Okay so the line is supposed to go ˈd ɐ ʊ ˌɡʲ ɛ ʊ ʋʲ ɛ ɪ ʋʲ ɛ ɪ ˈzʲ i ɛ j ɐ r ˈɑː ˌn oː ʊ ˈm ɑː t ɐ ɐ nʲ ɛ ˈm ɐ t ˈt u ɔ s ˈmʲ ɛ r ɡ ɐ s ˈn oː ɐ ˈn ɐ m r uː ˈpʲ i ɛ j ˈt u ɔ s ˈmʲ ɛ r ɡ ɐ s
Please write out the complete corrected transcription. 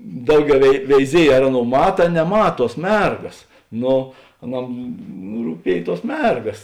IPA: ˈd ɐ ʊ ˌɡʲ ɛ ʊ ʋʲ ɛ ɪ ʋʲ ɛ ɪ ˈzʲ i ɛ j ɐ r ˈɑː ˌn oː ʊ ˈm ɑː t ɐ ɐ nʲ ɛ ˈm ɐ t ˈt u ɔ s ˈmʲ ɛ r ɡ ɐ s ˈn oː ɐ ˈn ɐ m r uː ˈpʲ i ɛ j ˈt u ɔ s ˈmʲ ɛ r ɡ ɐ s